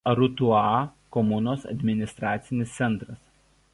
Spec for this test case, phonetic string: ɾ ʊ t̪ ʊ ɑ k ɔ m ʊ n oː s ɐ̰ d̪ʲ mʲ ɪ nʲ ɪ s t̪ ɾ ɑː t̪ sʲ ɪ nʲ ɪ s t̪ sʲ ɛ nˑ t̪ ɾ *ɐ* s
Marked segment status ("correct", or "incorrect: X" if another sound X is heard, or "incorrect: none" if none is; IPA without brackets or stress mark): correct